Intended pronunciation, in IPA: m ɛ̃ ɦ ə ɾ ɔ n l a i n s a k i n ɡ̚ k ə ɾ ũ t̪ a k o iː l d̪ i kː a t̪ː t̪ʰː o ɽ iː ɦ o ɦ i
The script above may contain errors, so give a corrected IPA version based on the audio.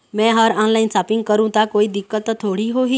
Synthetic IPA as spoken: m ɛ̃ ɦ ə ɾ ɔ n l a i n s a p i ŋ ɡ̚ k ə ɾ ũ t̪ a k o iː d̪ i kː ə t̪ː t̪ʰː o ɽ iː ɦ o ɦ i